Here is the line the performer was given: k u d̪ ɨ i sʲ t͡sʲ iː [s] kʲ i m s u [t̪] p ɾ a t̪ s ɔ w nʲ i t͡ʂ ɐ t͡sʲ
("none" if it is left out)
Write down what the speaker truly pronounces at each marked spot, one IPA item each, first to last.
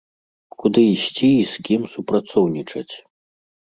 s, none

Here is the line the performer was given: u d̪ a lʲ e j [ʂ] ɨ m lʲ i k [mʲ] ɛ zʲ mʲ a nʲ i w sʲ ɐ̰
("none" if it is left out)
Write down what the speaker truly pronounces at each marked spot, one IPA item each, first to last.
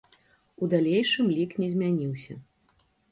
ʂ, nʲ

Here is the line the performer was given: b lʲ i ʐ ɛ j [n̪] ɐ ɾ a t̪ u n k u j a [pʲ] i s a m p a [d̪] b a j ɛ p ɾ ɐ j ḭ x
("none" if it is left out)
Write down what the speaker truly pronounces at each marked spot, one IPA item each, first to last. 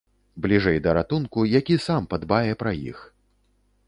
d̪, kʲ, d̪

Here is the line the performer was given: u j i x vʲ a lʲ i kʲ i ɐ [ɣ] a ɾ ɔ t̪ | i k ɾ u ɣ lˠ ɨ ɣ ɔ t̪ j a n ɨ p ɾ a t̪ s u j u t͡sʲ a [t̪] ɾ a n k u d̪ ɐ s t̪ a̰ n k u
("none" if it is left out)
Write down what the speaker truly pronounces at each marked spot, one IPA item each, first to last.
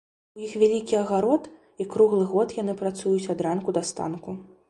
ɣ, d̪

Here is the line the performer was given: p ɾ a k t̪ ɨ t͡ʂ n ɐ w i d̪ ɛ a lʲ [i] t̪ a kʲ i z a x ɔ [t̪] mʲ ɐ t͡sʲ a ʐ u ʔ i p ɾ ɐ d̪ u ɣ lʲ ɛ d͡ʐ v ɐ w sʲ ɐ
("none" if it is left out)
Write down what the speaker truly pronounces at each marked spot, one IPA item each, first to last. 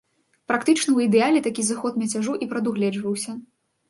ɛ, t̪

